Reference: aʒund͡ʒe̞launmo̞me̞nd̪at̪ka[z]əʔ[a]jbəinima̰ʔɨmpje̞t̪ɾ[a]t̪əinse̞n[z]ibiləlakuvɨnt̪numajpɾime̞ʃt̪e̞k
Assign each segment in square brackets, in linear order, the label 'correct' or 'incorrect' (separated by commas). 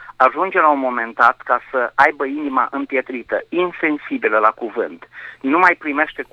incorrect, correct, incorrect, incorrect